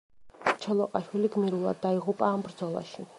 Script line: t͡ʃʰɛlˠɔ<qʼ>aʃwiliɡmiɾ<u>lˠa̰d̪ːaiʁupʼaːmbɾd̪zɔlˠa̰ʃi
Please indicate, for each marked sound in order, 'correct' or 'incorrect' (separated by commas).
correct, correct